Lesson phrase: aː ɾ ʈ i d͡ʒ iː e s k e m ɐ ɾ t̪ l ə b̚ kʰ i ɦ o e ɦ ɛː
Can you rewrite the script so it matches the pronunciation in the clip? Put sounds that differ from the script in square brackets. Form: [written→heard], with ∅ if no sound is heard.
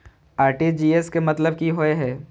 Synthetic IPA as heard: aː ɾ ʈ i d͡ʒ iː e s k e m ɐ [ɾ→∅] t̪ l ə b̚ [kʰ→k] i ɦ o e ɦ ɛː